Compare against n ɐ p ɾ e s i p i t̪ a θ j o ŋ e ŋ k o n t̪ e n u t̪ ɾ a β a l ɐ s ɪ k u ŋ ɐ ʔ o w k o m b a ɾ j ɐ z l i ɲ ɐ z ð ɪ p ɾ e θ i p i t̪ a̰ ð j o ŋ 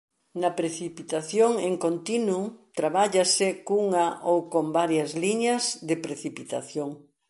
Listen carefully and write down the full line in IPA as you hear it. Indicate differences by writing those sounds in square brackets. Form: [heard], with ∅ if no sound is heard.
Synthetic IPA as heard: n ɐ p ɾ e [θ] i p i t̪ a θ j o ŋ e ŋ k o n t̪ [i] n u t̪ ɾ a β a [ʎ] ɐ s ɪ k u ŋ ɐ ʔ o w k o m b a ɾ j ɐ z l i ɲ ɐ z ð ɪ p ɾ e θ i p i t̪ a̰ [θ] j o ŋ